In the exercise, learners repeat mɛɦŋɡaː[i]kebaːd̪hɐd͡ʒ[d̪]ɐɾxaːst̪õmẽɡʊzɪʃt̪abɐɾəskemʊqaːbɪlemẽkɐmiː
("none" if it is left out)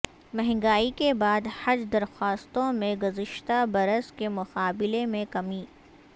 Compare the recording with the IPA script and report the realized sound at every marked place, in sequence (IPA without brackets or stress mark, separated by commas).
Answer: i, d̪